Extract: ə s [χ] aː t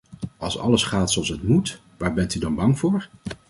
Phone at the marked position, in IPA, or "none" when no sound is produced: χ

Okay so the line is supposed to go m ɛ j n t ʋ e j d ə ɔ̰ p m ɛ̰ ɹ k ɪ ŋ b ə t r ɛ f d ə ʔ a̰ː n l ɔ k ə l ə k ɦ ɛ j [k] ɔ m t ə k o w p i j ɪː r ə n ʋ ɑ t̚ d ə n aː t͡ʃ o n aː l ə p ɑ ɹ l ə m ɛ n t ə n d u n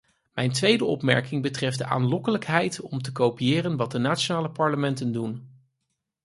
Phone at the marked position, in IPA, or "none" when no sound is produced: t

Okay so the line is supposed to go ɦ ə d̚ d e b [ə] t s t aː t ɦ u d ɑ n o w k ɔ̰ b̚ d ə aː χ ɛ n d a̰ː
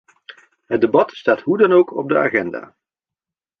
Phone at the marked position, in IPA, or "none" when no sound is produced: ɑ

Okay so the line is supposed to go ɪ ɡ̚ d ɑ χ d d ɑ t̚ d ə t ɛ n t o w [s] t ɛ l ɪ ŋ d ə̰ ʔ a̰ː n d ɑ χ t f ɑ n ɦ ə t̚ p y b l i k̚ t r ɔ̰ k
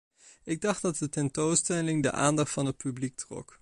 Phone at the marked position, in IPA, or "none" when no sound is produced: s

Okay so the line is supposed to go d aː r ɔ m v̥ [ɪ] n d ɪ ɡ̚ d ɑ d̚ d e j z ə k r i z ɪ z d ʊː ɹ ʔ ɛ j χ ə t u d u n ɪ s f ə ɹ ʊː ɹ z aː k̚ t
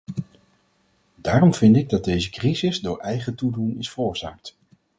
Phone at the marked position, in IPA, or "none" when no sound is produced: ɪ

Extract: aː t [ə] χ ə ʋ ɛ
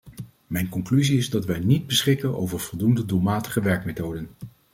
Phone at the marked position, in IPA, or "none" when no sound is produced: ə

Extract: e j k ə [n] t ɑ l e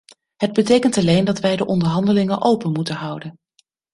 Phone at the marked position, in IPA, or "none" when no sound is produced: n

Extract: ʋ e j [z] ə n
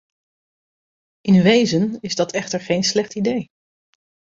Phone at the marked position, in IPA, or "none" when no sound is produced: z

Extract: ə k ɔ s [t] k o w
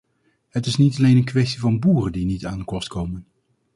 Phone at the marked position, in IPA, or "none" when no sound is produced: t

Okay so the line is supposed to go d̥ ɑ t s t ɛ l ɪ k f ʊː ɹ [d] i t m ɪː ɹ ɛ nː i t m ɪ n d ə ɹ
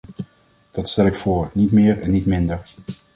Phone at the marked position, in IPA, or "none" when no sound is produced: n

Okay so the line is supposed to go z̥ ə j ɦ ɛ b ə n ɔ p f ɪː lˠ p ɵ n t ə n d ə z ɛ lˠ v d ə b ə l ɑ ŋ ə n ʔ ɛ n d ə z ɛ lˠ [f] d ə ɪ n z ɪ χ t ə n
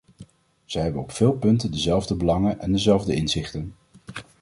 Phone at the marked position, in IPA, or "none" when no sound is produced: v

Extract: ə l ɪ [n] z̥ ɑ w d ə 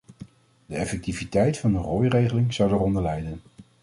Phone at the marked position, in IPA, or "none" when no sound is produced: ŋ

